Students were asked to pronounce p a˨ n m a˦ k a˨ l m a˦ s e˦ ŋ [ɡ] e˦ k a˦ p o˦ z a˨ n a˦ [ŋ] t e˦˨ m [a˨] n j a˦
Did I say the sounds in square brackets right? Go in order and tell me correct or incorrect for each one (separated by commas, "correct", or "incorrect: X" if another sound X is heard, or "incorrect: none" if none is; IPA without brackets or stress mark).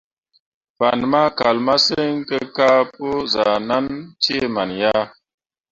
incorrect: k, incorrect: n, correct